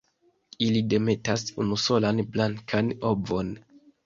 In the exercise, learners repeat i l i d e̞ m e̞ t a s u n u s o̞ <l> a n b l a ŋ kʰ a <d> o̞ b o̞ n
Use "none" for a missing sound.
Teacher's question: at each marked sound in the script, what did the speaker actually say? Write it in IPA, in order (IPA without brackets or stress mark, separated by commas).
l, n